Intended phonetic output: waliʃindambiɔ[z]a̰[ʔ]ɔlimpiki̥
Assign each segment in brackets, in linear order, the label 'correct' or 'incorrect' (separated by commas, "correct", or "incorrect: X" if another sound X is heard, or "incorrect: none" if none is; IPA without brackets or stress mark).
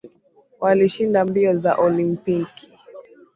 correct, correct